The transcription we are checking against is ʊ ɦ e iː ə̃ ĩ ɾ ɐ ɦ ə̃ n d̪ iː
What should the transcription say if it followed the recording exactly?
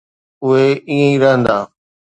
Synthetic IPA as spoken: ʊ ɦ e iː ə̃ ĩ ɾ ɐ ɦ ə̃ n d̪ aː